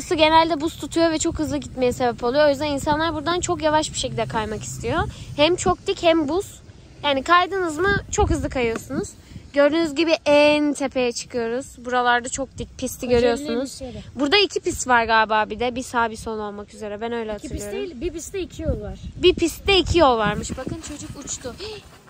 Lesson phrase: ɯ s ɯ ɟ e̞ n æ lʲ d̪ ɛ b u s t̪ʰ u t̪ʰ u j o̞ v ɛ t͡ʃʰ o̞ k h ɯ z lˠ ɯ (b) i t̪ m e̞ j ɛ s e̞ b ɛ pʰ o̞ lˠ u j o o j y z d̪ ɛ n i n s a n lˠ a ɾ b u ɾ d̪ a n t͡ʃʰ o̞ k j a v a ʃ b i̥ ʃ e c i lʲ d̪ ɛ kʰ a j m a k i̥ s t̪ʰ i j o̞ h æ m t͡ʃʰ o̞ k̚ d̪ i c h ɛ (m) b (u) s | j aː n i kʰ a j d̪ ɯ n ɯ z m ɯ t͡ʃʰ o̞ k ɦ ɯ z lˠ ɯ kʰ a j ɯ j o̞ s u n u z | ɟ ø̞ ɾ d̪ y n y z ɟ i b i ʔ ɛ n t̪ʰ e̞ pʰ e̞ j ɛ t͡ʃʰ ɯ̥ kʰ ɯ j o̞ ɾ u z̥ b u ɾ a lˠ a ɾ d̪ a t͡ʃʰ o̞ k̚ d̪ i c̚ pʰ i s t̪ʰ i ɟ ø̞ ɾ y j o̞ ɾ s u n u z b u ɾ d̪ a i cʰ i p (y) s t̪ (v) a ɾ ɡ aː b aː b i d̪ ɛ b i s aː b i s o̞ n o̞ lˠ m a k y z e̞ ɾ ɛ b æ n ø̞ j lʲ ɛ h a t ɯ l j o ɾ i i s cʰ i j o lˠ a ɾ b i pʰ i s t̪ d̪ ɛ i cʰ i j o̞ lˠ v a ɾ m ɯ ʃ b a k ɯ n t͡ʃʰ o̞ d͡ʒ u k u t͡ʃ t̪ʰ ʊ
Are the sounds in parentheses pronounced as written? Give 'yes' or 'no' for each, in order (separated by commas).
no, yes, yes, no, yes